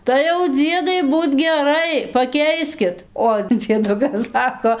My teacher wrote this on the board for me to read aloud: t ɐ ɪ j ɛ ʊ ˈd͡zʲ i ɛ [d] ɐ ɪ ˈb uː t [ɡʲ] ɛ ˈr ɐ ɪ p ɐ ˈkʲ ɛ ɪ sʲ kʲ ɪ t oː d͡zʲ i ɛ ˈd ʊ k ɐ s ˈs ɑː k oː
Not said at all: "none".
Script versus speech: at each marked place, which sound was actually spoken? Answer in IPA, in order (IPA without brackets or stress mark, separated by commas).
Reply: d, ɡʲ